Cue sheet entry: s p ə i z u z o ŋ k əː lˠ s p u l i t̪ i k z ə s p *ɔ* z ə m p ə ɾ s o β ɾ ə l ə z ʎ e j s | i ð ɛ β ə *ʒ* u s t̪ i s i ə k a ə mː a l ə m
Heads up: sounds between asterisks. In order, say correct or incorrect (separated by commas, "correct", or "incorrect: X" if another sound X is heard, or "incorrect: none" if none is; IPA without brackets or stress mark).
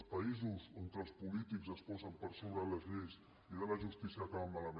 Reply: correct, correct